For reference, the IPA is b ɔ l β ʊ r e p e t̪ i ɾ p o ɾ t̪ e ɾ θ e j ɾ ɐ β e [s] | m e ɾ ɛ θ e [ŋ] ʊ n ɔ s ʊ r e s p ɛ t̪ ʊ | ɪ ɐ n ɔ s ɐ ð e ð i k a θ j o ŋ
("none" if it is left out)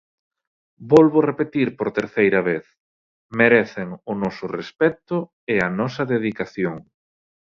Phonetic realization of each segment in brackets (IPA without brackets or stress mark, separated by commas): θ, ŋ